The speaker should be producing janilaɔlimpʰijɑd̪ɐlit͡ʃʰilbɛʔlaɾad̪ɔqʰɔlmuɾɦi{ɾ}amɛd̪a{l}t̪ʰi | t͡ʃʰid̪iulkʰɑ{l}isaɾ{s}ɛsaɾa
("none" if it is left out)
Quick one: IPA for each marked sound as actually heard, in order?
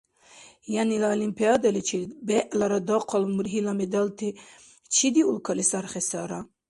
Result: l, l, l, χ

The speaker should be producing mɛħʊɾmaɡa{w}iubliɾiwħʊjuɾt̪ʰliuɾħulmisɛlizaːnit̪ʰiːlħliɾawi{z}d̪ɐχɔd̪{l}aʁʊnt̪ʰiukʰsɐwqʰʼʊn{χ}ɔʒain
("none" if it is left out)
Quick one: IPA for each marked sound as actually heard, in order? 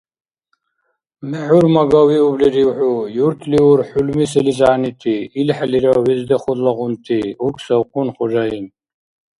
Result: w, z, l, χ

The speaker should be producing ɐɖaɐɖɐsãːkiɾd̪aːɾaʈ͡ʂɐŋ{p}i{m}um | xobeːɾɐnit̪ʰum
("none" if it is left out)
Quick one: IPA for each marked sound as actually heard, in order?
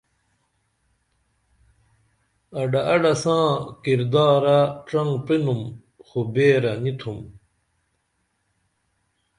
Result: p, n

